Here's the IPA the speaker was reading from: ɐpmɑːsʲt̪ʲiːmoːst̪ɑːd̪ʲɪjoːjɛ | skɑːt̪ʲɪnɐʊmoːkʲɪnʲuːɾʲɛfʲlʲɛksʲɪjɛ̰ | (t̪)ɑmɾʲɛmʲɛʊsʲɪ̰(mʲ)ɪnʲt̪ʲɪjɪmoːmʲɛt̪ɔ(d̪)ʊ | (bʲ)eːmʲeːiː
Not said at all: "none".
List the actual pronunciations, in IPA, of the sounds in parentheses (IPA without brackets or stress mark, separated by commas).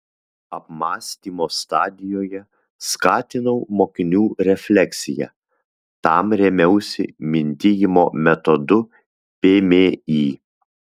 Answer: t̪, mʲ, d̪, pʲ